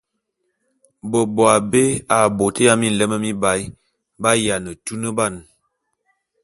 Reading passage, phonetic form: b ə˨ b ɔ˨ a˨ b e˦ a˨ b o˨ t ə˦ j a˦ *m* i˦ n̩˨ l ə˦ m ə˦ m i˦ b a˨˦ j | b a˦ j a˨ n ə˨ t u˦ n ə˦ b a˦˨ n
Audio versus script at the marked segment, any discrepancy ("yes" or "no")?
no